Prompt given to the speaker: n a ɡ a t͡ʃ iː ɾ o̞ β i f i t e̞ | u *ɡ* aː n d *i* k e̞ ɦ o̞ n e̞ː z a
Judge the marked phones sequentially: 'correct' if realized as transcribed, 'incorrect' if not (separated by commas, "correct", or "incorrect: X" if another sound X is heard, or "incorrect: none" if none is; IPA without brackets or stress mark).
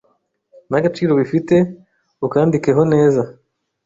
incorrect: k, correct